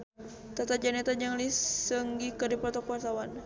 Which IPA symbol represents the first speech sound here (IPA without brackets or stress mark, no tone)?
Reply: t̪